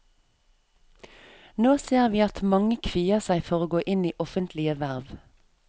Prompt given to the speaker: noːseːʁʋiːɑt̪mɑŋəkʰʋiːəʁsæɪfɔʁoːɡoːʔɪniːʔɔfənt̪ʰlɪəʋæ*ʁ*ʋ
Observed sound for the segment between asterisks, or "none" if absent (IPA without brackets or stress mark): ʁ